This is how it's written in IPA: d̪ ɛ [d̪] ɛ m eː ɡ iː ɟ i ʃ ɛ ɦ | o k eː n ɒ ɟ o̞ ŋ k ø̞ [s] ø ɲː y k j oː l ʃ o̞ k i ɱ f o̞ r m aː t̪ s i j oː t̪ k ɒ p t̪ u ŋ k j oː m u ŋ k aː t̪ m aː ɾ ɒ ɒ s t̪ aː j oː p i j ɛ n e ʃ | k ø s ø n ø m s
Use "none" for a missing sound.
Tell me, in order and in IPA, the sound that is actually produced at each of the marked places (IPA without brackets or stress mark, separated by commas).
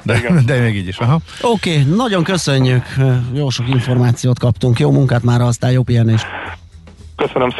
d̪, s